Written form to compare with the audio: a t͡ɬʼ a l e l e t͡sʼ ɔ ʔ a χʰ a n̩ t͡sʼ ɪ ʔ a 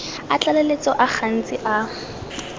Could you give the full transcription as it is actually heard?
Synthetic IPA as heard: a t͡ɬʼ a l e l e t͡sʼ ɔ ʔ a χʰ a n̩ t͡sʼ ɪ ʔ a